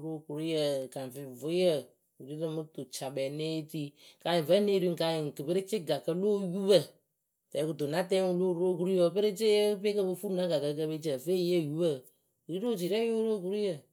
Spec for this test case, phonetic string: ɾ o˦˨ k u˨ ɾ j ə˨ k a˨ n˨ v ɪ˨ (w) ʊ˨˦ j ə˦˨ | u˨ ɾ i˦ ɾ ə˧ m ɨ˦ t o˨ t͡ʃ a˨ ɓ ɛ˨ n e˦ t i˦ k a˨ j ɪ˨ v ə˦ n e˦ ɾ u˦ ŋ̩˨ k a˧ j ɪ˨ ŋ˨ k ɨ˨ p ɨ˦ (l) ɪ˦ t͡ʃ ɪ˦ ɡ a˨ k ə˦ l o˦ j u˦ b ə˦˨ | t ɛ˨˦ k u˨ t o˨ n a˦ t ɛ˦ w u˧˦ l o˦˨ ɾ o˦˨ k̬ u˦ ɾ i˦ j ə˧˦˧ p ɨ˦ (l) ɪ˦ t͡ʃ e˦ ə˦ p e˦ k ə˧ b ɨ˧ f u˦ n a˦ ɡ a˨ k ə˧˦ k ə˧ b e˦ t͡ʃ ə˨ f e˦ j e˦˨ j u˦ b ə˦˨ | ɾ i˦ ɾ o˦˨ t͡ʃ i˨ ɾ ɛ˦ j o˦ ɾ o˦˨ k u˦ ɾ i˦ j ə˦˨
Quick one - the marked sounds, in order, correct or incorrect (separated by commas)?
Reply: incorrect, incorrect, incorrect